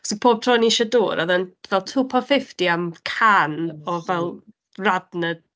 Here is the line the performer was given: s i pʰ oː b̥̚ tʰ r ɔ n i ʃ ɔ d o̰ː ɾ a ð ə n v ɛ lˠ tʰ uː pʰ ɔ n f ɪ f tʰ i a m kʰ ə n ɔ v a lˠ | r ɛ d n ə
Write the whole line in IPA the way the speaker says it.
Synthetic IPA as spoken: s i pʰ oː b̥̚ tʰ r ɔ n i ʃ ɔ d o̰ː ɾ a ð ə n v ɛ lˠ tʰ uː pʰ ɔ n f ɪ f t i a m kʰ a n ɔ v ɛ lˠ | r a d n ə